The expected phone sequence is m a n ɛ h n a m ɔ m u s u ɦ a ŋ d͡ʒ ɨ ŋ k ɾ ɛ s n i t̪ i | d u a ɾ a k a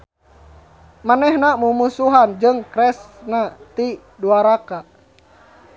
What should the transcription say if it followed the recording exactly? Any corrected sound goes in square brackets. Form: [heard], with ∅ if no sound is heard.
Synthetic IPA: m a n ɛ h n a m [u] m u s u ɦ a [n] d͡ʒ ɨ ŋ k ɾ ɛ s n [a] t̪ i | d u a ɾ a k a